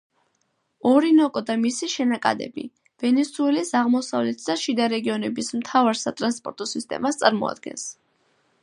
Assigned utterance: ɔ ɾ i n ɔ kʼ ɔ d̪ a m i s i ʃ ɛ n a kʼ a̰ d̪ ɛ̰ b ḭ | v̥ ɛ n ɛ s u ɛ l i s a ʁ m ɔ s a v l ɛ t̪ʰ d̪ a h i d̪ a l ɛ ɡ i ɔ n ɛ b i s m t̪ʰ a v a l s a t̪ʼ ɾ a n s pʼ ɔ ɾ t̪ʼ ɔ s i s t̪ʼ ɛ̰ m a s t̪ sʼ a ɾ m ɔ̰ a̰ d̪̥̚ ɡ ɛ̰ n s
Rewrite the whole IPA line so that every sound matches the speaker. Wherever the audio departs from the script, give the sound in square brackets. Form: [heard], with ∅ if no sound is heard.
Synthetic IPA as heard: ɔ ɾ i n ɔ kʼ ɔ d̪ a m i s i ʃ ɛ n a kʼ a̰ d̪ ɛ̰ b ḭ | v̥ ɛ n ɛ s u ɛ l i s a ʁ m ɔ s a v l ɛ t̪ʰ d̪ a [ʃ] i d̪ a [ɾ] ɛ ɡ i ɔ n ɛ b i s m t̪ʰ a v a [ɾ] s a t̪ʼ ɾ a n s pʼ ɔ ɾ t̪ʼ ɔ s i s t̪ʼ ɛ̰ m a s t̪ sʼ a ɾ m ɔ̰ a̰ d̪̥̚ ɡ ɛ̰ n s

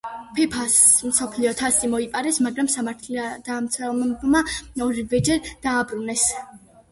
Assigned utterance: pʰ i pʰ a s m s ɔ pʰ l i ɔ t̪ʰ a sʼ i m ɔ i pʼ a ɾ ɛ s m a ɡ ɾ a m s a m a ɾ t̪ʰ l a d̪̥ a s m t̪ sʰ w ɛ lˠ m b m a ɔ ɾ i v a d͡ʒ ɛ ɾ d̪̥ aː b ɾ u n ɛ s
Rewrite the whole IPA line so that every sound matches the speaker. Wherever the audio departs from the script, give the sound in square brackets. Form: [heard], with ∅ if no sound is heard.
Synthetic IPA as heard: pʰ [ɛ] pʰ a s m s ɔ pʰ l i ɔ t̪ʰ a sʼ i m ɔ i pʼ a ɾ ɛ s m a ɡ ɾ a m s a m a ɾ t̪ʰ l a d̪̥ a [∅] m t̪ sʰ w ɛ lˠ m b m a ɔ ɾ i v [ɛ] d͡ʒ ɛ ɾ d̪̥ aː b ɾ u n ɛ s

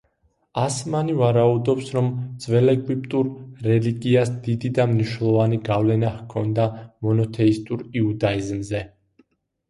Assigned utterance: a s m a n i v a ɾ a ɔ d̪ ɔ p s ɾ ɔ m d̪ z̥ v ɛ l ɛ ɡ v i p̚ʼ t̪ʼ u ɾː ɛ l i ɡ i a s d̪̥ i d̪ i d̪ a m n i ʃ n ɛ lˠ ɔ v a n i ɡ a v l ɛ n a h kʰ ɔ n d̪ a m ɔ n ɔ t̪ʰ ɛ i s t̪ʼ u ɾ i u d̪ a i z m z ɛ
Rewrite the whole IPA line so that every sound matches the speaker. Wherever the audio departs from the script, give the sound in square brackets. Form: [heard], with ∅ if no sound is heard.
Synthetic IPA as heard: a s m a n i v a ɾ a [u] d̪ ɔ p s ɾ ɔ m d̪ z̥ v ɛ l ɛ ɡ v i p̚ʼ t̪ʼ u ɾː ɛ l i ɡ i a s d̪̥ i d̪ i d̪ a m n i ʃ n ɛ lˠ ɔ v a n i ɡ a v l ɛ n a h kʰ ɔ n d̪ a m ɔ n ɔ t̪ʰ ɛ i s t̪ʼ u ɾ i u d̪ a i z m z ɛ

